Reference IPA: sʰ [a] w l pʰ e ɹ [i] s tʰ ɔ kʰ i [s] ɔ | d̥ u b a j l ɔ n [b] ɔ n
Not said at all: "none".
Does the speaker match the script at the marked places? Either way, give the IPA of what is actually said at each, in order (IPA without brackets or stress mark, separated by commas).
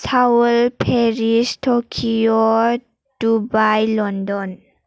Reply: a, i, none, d